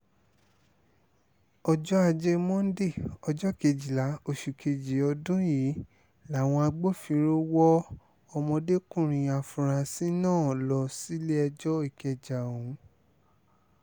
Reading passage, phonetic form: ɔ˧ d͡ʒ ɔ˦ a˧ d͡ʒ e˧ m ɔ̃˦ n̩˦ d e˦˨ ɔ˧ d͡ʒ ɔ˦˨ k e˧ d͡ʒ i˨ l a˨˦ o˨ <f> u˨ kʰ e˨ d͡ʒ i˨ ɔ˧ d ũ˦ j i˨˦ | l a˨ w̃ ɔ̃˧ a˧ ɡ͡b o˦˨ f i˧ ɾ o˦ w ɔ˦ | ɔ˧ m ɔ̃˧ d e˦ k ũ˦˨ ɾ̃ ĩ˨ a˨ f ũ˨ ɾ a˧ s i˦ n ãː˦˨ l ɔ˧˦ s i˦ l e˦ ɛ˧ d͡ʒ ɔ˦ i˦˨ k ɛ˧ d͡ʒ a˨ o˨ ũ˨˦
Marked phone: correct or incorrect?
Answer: incorrect